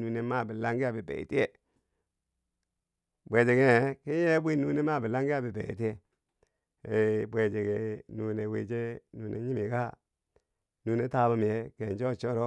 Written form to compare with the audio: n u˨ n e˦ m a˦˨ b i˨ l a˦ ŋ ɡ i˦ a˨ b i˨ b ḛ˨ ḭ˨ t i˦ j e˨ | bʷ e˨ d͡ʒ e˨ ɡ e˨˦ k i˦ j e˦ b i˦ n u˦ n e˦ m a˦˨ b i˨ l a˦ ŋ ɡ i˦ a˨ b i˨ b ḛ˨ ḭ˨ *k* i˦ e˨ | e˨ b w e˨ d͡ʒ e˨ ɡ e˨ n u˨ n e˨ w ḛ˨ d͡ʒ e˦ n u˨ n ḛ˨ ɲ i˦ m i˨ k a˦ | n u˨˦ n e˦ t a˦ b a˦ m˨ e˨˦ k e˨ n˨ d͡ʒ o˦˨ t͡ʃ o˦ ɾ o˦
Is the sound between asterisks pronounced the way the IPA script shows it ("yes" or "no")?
no